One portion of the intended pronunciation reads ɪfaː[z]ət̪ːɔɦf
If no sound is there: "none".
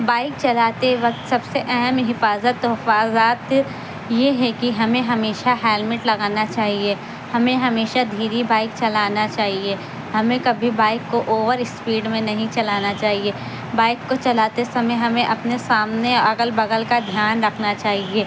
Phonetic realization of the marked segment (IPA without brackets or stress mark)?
z